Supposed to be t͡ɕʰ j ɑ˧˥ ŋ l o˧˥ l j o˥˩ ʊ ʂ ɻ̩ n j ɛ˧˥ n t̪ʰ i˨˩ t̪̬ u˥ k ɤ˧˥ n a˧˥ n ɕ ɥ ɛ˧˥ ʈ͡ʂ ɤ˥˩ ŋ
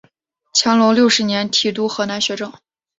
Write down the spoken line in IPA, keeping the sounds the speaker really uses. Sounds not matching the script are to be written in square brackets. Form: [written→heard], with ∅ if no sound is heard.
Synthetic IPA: t͡ɕʰ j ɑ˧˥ ŋ l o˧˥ l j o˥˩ ʊ ʂ ɻ̩ n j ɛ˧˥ n t̪ʰ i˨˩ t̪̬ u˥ [k→x] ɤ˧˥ n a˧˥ n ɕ ɥ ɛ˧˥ ʈ͡ʂ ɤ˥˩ ŋ

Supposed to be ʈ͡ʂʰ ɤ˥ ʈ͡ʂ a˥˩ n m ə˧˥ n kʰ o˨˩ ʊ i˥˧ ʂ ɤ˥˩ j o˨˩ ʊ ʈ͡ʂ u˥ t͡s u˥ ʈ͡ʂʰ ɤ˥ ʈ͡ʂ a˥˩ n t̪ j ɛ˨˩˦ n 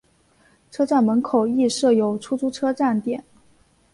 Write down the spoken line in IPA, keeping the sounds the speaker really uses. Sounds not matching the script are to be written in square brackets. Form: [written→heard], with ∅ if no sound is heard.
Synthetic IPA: ʈ͡ʂʰ ɤ˥ ʈ͡ʂ a˥˩ n m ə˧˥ n kʰ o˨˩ ʊ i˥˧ ʂ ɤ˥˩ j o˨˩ ʊ [ʈ͡ʂ→ʈ͡ʂʰ] u˥ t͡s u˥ ʈ͡ʂʰ ɤ˥ ʈ͡ʂ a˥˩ n t̪ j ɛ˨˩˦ n

